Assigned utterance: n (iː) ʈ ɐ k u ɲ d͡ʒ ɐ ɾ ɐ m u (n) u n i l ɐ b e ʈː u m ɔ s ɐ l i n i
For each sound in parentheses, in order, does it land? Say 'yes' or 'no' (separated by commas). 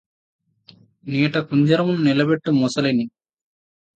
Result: yes, yes